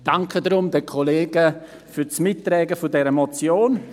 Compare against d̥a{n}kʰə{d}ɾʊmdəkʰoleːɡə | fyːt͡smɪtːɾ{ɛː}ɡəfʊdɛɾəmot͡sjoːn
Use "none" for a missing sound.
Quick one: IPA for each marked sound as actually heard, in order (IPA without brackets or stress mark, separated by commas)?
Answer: ŋ, d, ɛː